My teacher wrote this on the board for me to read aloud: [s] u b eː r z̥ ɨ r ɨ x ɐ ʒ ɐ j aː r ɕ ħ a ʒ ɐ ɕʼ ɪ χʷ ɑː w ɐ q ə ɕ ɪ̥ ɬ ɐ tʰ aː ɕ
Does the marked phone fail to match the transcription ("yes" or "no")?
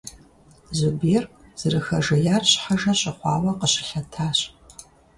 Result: yes